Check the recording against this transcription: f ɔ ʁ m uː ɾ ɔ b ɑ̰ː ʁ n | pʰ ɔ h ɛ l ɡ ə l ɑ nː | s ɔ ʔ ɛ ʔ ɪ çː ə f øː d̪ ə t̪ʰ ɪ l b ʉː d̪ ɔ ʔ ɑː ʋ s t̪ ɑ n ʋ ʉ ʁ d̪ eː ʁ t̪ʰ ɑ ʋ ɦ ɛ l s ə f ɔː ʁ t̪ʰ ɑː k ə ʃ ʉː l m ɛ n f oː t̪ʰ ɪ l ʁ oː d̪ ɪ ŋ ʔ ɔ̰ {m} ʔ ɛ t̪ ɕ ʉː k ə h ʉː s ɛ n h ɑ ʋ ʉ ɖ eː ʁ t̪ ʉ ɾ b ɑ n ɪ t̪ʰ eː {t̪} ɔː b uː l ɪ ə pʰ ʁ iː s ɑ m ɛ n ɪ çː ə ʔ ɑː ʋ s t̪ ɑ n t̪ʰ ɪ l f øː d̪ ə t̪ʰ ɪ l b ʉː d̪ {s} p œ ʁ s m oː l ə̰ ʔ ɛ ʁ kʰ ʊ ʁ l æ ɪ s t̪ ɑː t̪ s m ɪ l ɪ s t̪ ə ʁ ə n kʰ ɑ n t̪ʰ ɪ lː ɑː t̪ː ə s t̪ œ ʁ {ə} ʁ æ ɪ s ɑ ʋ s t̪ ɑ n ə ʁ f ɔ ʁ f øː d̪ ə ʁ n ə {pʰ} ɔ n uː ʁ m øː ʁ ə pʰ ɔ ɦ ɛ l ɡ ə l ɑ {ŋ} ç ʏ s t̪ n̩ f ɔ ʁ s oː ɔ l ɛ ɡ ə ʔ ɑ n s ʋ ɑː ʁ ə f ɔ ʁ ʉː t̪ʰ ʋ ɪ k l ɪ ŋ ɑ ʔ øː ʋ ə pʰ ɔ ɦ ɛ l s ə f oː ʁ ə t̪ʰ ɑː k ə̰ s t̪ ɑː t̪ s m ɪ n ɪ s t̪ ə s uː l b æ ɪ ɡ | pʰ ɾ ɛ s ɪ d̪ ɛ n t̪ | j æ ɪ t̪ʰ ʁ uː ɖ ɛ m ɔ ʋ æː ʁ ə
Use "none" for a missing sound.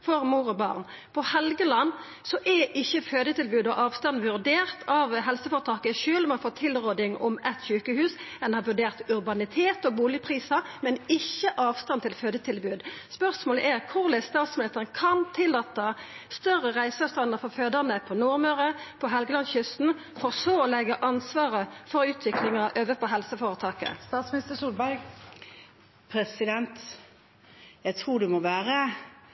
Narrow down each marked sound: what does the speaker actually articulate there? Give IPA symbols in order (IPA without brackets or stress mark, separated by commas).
m, t̪, s, ə, pʰ, n